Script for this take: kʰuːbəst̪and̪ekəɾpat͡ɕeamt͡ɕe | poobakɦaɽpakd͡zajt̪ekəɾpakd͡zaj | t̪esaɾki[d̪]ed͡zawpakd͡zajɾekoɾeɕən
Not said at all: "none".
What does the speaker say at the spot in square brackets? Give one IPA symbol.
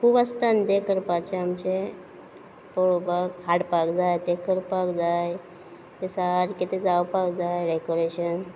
t̪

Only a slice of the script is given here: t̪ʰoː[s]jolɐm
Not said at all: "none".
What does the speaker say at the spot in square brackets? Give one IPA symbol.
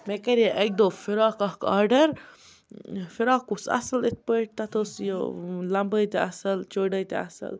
s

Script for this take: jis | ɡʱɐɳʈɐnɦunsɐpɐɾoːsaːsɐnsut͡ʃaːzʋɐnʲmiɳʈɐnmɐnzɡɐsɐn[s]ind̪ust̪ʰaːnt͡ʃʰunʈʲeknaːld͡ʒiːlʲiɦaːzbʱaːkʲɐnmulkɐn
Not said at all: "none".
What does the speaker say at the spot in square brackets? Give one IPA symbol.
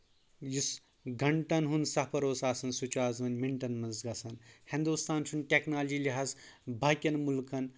h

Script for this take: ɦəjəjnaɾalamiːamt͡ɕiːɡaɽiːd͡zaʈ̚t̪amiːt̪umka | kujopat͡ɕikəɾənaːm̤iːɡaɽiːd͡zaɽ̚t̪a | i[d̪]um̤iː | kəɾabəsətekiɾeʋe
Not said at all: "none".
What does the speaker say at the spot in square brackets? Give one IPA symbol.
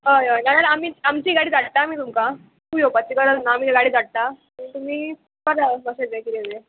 t̪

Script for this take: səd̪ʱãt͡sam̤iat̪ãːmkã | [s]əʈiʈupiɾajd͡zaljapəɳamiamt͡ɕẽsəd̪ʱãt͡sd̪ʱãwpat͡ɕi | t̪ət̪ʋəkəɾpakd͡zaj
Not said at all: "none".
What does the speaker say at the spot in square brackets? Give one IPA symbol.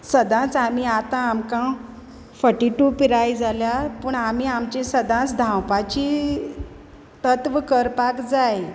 f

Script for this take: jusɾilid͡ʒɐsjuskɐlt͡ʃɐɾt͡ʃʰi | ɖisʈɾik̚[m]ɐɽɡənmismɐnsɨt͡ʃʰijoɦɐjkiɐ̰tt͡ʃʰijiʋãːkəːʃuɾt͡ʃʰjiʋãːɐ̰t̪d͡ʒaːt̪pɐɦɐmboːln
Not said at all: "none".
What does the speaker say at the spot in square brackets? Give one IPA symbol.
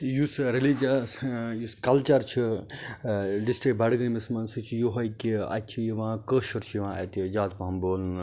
b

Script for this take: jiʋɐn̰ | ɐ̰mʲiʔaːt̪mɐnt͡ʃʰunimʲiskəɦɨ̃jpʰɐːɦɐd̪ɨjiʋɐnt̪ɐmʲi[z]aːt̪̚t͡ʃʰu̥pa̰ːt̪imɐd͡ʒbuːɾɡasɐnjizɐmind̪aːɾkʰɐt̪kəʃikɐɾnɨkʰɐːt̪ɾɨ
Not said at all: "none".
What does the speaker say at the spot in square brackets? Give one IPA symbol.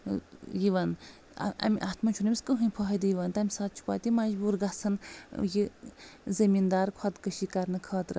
s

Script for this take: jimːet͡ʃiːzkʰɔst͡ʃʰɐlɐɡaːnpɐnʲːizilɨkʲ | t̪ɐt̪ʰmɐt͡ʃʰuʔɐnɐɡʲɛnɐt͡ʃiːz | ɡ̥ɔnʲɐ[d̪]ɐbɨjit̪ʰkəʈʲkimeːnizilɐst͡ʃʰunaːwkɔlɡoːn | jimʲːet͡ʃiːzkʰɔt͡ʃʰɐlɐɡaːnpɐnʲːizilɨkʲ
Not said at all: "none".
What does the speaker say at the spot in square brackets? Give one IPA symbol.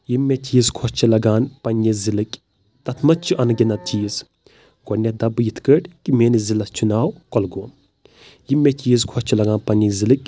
d̪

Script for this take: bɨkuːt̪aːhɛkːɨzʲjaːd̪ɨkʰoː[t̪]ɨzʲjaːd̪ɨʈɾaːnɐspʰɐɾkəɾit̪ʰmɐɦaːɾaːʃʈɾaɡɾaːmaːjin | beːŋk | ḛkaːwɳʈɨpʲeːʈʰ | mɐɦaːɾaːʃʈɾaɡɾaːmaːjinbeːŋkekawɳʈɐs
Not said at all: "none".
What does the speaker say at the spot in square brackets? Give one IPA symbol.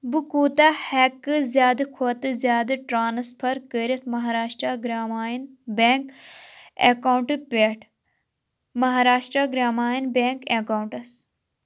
t̪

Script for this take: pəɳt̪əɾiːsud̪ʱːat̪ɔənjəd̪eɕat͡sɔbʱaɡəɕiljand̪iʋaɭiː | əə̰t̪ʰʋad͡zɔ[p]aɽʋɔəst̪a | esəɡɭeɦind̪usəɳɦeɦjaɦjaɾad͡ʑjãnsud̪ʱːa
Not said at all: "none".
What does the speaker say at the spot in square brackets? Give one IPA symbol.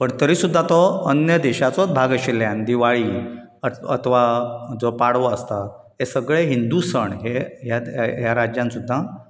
p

